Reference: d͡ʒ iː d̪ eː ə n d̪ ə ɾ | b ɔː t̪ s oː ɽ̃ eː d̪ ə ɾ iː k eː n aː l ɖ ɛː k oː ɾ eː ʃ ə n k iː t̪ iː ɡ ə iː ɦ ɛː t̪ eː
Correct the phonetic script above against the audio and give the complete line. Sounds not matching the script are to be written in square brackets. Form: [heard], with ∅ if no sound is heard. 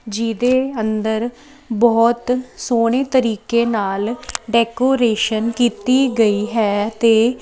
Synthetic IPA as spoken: d͡ʒ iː d̪ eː ə n d̪ ə ɾ | b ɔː t̪ s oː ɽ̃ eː [t̪] ə ɾ iː k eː n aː l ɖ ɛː k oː ɾ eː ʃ ə n k iː t̪ iː ɡ ə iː ɦ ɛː t̪ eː